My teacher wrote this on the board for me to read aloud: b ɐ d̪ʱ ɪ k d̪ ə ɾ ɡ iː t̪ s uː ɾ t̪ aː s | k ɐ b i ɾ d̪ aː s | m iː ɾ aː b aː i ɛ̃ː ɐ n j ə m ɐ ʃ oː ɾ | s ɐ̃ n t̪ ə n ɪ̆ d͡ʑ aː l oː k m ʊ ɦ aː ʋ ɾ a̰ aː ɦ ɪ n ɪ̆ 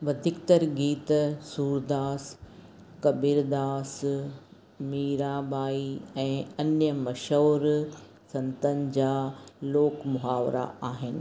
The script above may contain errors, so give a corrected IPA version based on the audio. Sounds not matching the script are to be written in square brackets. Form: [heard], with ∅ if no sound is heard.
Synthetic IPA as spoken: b ɐ d̪ʱ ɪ k [t̪] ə ɾ ɡ iː t̪ s uː ɾ [d̪] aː s | k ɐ b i ɾ d̪ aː s | m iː ɾ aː b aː i ɛ̃ː ɐ n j ə m ɐ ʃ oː ɾ | s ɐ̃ n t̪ ə n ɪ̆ d͡ʑ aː l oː k m ʊ ɦ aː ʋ ɾ a̰ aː ɦ ɪ n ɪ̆